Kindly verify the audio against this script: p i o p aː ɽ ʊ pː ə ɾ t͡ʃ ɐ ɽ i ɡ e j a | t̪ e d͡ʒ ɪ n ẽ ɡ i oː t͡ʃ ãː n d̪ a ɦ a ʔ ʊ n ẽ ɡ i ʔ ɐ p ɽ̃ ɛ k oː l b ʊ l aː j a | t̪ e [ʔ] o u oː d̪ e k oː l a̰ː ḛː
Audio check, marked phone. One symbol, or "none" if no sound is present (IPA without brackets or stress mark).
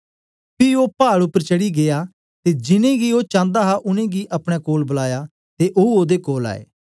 ʔ